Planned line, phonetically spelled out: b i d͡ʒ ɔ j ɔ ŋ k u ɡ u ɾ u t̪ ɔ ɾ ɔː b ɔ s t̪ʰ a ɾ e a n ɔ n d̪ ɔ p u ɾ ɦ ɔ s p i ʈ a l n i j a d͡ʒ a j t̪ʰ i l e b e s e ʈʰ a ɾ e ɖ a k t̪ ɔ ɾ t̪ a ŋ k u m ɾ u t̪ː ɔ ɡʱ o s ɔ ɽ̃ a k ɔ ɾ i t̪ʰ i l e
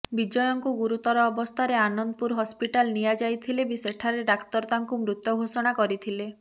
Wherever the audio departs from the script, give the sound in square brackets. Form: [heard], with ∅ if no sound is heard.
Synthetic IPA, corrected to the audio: b i d͡ʒ ɔ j ɔ ŋ k u ɡ u ɾ u t̪ ɔ ɾ ɔː b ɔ s t̪ʰ a ɾ e a n ɔ n d̪ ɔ p u ɾ ɦ ɔ s p i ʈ a l n i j a d͡ʒ a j t̪ʰ i l e b [i] s e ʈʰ a ɾ e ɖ a k t̪ ɔ ɾ t̪ a ŋ k u m ɾ u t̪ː ɔ ɡʱ o s ɔ ɽ̃ a k ɔ ɾ i t̪ʰ i l e